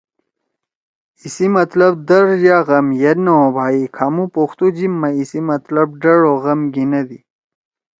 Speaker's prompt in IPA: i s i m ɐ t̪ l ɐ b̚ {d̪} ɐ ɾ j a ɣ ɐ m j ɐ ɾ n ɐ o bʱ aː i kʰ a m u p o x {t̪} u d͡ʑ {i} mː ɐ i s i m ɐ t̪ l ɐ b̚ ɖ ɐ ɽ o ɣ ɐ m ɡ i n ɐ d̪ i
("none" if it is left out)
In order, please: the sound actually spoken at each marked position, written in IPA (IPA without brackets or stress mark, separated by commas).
d̪, t̪, i